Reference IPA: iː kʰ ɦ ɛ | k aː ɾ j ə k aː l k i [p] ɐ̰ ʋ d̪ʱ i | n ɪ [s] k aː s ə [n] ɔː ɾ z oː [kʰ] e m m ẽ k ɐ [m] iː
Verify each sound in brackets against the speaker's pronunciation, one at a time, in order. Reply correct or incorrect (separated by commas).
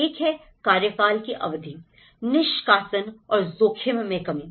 incorrect, incorrect, correct, correct, correct